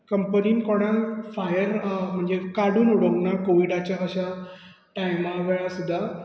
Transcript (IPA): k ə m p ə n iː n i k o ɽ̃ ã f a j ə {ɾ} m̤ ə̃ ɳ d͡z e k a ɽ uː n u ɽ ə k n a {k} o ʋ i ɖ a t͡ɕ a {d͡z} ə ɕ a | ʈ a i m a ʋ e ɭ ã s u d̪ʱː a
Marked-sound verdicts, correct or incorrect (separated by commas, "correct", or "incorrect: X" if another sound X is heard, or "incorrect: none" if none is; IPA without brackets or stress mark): correct, correct, incorrect: none